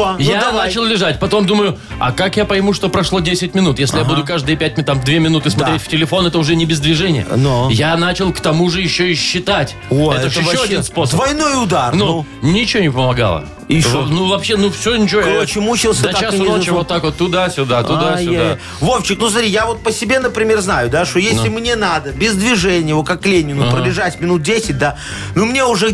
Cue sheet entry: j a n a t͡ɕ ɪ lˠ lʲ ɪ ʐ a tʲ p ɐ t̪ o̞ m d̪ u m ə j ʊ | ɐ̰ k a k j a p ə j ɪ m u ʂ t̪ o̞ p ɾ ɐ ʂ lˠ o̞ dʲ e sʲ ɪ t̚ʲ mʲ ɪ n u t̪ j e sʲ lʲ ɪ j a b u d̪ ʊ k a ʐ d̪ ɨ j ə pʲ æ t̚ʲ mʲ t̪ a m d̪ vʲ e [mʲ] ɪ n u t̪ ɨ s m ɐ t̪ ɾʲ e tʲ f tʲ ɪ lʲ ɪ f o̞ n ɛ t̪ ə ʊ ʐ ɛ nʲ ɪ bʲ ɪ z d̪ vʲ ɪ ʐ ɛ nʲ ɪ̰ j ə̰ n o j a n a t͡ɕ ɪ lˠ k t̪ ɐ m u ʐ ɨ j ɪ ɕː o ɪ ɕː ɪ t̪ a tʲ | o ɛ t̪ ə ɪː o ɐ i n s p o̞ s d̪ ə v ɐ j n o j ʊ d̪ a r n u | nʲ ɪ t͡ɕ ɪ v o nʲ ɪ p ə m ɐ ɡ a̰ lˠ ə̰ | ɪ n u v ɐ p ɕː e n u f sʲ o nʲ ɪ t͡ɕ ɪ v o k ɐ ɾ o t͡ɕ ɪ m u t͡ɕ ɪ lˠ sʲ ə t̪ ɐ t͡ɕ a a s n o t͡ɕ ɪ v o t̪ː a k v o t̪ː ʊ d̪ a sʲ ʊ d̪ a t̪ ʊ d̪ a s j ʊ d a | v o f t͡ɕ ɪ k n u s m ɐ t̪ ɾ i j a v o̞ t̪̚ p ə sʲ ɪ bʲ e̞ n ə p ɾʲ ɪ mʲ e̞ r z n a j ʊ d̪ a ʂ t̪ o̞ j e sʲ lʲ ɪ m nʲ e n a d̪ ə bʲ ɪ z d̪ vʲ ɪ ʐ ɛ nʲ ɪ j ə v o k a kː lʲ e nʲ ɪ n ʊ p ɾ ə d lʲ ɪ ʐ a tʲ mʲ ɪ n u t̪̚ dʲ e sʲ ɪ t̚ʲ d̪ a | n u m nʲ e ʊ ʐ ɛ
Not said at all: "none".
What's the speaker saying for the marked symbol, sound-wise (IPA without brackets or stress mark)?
mʲ